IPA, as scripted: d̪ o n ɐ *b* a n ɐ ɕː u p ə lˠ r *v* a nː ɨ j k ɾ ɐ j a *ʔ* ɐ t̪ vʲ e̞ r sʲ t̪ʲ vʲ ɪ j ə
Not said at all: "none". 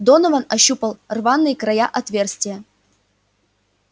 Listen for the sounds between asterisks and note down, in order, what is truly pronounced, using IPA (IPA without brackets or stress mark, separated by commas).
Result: v, v, ʔ